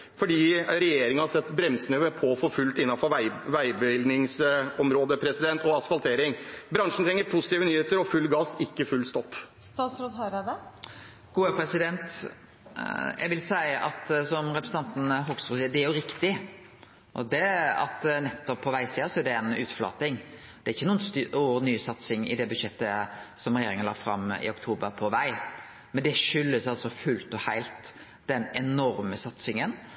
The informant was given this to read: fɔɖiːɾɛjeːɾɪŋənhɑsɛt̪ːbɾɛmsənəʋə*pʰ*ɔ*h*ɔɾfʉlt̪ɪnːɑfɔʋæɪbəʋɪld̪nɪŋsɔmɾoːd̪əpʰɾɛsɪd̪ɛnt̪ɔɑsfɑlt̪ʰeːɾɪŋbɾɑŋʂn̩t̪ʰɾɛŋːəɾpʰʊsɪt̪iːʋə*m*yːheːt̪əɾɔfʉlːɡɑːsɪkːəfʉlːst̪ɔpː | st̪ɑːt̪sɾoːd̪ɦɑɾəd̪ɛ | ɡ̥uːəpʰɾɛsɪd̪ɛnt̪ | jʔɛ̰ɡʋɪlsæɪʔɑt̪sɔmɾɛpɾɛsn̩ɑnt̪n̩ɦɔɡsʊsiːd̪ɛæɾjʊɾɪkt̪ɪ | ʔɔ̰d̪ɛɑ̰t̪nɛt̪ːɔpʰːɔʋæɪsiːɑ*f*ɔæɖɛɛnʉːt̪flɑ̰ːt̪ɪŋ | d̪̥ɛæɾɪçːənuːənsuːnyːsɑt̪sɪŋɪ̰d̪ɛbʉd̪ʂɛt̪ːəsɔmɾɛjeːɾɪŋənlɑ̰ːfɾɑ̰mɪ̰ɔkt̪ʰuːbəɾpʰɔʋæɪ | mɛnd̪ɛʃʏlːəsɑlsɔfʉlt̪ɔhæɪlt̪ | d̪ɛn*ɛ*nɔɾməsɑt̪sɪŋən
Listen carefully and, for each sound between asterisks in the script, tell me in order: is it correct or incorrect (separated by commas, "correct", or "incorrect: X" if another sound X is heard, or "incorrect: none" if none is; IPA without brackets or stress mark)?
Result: correct, incorrect: f, incorrect: n, incorrect: s, correct